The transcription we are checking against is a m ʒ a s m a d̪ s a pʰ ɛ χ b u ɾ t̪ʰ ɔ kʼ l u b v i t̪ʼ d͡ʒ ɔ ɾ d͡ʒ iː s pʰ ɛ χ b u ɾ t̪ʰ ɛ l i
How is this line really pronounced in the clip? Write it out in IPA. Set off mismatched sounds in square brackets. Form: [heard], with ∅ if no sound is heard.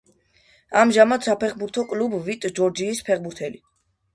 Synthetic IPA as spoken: a m ʒ a [∅] m a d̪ s a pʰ ɛ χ b u ɾ t̪ʰ ɔ kʼ l u b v i t̪ʼ d͡ʒ ɔ ɾ d͡ʒ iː s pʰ ɛ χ b u ɾ t̪ʰ ɛ l i